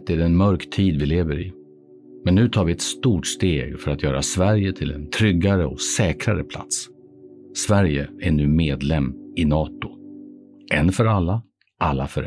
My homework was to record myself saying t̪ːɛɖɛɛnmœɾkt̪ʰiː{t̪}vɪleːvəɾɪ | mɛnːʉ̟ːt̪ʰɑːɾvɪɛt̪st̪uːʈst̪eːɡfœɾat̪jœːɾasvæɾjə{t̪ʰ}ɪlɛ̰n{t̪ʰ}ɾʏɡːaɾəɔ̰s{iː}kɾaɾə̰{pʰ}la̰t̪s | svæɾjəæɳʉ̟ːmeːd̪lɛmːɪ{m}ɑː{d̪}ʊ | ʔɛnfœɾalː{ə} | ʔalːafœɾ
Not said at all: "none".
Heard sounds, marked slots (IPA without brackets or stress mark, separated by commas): d̪, t̪ʰ, t̪ʰ, ɛː, pʰ, n, t̪, a